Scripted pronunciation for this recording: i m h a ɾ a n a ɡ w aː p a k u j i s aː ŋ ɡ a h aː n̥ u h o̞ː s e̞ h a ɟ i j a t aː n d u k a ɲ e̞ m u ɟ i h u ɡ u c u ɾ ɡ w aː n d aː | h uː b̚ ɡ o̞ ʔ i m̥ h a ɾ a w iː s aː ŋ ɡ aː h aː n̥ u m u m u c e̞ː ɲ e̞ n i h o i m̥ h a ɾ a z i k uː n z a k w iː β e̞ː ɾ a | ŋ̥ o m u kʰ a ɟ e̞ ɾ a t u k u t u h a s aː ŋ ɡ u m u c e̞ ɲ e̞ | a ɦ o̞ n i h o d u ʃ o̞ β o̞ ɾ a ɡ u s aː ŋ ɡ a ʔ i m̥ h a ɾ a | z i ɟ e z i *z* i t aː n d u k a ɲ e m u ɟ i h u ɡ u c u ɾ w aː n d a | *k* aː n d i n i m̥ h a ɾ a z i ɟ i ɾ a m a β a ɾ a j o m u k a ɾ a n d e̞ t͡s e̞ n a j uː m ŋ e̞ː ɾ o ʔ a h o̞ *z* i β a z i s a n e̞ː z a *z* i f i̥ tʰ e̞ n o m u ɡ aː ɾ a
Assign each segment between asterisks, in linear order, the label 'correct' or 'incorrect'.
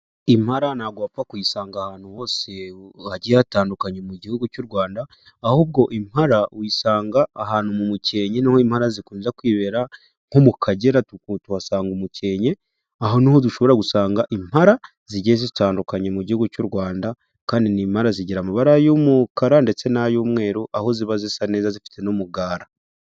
correct, correct, correct, correct

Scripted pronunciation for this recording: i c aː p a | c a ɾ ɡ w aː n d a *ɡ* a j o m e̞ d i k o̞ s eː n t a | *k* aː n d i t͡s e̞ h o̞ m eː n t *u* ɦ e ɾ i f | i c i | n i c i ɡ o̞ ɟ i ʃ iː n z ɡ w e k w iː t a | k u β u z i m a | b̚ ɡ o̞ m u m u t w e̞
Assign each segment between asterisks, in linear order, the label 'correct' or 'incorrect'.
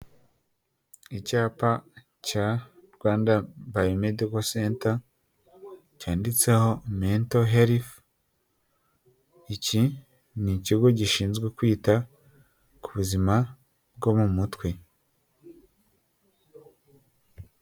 incorrect, incorrect, incorrect

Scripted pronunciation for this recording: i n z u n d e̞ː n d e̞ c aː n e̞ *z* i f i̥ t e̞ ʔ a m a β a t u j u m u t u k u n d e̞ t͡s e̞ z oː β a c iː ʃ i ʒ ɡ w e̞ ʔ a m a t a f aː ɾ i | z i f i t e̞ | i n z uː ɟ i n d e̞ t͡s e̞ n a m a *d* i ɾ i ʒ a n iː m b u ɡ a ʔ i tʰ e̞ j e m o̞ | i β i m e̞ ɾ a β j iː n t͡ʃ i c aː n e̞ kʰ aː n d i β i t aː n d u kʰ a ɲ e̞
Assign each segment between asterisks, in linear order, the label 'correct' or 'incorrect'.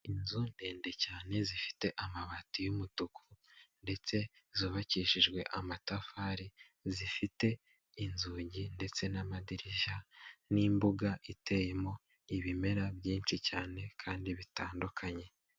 correct, correct

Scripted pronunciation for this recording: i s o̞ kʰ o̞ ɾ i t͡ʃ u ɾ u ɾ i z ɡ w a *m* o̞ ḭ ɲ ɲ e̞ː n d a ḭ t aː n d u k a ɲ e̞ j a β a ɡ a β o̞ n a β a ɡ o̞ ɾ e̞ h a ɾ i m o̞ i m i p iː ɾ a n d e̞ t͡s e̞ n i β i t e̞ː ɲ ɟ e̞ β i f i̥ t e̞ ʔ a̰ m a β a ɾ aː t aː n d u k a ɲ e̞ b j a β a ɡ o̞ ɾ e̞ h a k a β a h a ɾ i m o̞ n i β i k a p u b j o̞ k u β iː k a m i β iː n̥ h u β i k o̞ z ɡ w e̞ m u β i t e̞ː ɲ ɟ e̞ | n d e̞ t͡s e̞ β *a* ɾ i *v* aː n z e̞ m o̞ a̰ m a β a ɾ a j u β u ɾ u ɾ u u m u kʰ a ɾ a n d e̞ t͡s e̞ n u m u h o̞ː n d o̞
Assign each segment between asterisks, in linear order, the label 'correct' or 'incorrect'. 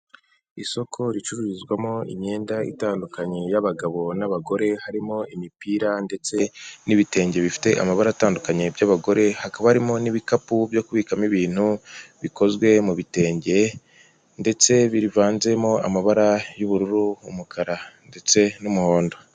correct, incorrect, correct

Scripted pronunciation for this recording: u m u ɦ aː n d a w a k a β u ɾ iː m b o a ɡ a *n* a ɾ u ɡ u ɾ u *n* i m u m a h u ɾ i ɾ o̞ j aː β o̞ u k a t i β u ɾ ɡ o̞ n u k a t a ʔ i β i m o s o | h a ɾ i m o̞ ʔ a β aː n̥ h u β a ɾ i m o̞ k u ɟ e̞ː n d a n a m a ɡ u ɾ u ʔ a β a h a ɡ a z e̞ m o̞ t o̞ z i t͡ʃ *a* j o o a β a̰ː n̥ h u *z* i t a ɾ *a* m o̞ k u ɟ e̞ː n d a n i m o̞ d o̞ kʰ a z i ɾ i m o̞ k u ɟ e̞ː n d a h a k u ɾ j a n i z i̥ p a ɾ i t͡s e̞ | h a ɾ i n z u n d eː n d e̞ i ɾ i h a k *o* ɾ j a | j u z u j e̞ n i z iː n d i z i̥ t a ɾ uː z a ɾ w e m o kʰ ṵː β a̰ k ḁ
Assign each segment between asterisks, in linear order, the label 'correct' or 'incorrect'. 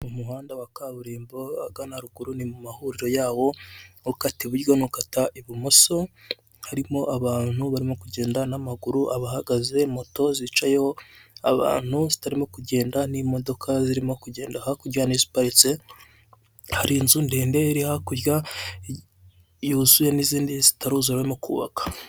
correct, correct, correct, correct, incorrect, incorrect

